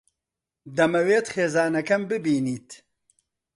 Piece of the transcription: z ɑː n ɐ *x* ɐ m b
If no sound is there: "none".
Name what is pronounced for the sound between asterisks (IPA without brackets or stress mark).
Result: k